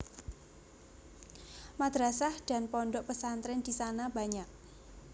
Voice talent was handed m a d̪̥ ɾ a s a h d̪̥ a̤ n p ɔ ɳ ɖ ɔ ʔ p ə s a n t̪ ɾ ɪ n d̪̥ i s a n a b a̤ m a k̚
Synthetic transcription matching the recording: m a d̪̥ ɾ a s a h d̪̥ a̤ n p ɔ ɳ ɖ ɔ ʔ p ə s a n t̪ ɾ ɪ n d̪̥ i s a n a b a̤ ɲ a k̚